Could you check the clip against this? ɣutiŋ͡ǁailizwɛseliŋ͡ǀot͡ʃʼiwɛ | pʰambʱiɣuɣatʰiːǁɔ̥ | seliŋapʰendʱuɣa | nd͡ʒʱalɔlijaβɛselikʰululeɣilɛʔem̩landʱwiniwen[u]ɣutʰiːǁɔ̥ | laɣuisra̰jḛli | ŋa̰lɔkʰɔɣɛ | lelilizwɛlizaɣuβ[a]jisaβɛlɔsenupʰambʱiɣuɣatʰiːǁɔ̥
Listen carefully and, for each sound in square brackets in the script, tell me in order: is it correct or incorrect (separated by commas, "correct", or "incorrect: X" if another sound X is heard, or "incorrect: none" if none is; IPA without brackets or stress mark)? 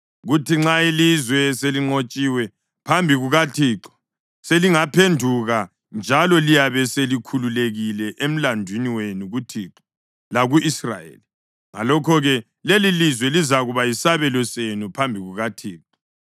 correct, correct